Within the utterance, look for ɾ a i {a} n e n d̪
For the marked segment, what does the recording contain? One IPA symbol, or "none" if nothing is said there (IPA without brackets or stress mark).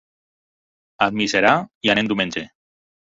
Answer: a